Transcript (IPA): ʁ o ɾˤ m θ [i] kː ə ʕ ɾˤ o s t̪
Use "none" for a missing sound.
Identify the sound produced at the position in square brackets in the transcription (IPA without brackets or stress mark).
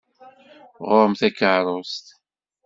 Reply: æ